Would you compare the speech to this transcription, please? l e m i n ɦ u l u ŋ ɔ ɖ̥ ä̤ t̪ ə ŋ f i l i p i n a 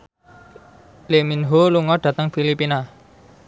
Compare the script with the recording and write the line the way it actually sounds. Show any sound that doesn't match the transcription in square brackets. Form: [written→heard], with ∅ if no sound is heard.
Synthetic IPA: l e m i n ɦ [u→o] l u ŋ ɔ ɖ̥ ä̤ t̪ ə ŋ f i l i p i n a